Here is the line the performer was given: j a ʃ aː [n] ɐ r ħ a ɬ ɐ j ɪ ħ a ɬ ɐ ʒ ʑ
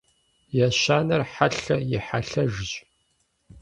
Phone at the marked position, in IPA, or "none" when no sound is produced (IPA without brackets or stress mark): n